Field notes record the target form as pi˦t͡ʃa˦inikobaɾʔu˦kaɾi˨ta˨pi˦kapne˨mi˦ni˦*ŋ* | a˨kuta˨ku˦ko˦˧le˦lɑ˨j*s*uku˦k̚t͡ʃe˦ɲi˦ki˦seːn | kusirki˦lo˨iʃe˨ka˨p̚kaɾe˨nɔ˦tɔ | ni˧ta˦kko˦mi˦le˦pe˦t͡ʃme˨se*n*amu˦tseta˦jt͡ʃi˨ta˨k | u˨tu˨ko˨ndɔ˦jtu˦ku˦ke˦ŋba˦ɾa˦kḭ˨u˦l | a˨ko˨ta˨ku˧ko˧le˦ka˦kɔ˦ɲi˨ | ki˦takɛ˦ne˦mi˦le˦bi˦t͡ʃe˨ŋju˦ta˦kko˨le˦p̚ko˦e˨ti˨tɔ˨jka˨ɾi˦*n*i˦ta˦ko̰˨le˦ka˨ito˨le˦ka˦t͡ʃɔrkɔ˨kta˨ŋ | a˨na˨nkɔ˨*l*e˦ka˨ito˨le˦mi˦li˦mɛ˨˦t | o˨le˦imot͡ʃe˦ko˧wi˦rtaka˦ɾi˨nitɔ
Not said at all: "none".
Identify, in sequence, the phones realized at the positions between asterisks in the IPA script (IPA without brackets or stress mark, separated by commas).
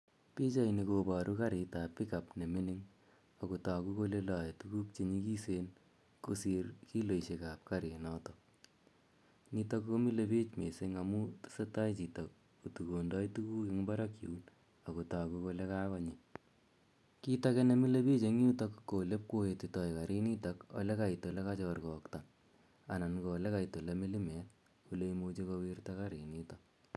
ŋ, t, ŋ, n, l